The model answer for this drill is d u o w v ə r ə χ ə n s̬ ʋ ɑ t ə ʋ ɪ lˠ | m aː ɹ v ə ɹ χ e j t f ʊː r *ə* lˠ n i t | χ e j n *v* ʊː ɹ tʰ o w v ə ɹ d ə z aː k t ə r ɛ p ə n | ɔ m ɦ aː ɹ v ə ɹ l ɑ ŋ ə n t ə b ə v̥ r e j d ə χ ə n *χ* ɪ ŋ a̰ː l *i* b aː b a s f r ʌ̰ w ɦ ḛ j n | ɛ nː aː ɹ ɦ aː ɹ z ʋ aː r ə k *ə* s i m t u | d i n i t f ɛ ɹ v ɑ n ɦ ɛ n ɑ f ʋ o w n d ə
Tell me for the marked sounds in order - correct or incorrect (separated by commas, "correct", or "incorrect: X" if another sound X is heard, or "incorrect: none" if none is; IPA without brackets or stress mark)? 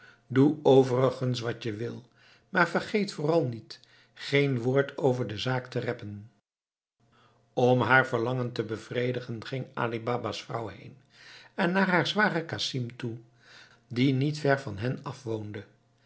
incorrect: ɑ, incorrect: ʋ, correct, correct, incorrect: a